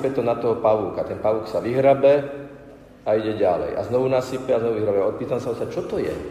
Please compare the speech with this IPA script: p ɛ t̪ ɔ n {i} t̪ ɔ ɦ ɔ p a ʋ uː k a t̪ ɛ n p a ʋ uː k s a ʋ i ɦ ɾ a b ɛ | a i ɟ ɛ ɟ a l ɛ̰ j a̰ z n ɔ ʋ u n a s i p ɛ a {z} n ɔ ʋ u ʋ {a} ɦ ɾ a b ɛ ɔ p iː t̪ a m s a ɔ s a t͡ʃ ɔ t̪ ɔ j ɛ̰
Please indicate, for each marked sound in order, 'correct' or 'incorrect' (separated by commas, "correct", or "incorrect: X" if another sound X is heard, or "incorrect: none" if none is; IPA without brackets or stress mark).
incorrect: a, correct, incorrect: i